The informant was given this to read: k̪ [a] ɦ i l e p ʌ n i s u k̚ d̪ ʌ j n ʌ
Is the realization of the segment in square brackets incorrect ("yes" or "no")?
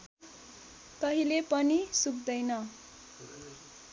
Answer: yes